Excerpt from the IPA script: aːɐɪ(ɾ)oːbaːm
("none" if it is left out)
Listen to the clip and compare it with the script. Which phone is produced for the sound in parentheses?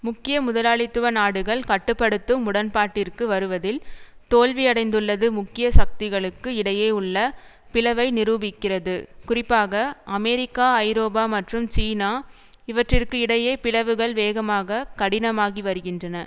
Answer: ɾ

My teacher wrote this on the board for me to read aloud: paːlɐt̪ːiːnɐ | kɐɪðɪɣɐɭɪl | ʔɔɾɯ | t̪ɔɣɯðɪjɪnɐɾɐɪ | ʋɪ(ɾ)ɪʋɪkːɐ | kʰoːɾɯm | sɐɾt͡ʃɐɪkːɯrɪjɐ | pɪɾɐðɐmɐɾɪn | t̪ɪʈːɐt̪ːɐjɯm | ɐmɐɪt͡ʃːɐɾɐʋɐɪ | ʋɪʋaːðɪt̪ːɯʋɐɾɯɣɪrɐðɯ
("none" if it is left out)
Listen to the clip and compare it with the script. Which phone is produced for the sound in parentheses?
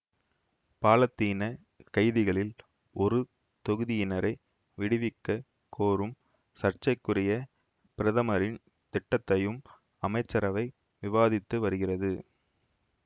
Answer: ɽ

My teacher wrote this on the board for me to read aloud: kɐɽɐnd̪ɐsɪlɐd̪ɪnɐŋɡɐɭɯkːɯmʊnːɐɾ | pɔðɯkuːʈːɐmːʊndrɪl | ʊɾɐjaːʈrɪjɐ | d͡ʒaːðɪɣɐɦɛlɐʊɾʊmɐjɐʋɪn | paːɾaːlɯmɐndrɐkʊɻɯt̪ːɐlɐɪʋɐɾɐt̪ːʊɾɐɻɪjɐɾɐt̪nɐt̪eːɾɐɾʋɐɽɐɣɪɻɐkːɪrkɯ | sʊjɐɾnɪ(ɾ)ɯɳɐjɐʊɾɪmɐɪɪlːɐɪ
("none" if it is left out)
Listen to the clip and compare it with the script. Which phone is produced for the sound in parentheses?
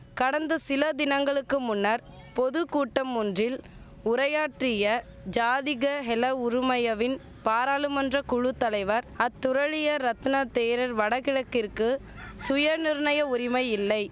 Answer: ɾ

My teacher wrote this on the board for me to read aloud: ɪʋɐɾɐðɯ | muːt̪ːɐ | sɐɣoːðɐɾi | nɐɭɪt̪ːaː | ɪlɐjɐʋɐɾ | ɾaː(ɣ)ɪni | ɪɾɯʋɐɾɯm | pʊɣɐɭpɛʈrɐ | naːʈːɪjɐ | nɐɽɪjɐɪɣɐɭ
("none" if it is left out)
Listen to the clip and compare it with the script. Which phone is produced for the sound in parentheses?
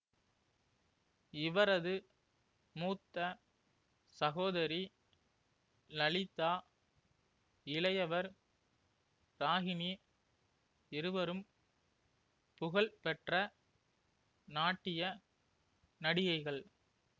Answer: ɣ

